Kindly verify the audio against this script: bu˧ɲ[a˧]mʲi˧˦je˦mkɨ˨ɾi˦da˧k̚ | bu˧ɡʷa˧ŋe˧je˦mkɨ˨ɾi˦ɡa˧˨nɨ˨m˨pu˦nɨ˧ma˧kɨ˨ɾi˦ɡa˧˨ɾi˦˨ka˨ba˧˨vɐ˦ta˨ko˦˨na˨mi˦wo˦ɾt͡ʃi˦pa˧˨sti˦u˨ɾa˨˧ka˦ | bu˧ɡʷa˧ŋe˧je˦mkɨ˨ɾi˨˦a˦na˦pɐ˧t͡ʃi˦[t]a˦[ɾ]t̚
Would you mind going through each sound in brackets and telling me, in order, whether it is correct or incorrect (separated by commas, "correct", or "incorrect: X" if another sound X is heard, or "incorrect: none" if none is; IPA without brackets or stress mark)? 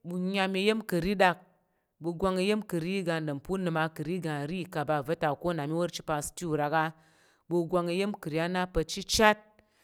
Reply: correct, incorrect: t͡ʃ, incorrect: none